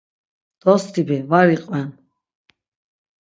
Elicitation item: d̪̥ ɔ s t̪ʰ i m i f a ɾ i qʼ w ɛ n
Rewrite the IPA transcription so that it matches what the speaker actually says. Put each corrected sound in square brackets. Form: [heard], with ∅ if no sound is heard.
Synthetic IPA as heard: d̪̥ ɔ s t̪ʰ i [b] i [v] a ɾ i qʼ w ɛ n